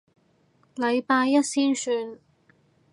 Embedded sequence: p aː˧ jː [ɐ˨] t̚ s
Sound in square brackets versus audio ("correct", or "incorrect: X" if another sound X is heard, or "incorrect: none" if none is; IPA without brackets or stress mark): incorrect: ɐ˥